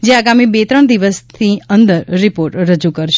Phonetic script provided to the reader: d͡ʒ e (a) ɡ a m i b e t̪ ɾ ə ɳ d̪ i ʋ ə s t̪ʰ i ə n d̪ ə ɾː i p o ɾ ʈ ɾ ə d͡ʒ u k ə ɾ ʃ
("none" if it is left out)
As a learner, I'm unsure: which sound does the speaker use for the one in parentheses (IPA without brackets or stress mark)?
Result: a